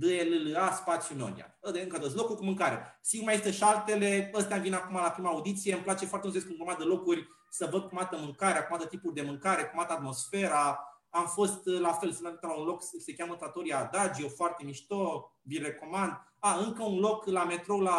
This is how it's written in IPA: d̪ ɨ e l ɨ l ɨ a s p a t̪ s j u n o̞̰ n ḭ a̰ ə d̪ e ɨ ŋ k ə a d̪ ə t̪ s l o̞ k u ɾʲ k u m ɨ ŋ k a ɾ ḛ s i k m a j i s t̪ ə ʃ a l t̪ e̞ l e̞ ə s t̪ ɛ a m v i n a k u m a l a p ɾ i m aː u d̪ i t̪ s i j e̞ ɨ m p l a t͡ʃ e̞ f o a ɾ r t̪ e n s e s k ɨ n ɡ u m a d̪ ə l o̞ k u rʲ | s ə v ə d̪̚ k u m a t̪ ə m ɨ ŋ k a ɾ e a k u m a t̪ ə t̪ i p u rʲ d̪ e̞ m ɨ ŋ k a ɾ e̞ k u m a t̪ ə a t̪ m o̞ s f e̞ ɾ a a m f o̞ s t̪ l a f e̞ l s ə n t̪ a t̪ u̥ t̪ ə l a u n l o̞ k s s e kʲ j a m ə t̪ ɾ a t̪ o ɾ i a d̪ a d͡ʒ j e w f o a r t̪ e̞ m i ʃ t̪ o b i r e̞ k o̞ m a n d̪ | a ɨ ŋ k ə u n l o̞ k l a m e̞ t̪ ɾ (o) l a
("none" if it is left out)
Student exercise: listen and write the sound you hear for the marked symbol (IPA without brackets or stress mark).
o